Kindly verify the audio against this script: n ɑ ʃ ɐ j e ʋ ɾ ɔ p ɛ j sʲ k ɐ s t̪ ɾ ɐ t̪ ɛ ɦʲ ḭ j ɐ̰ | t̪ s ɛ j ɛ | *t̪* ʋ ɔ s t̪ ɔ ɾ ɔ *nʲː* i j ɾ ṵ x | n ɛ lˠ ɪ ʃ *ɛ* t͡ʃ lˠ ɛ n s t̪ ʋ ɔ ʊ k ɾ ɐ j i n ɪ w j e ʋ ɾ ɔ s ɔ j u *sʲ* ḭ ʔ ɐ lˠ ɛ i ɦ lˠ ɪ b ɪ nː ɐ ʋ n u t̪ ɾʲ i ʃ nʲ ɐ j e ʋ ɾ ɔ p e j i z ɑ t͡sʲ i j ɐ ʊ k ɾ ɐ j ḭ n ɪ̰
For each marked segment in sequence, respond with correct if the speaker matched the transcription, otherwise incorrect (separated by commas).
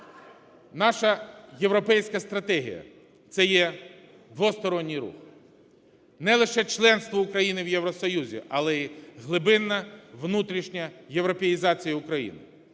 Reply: incorrect, correct, correct, incorrect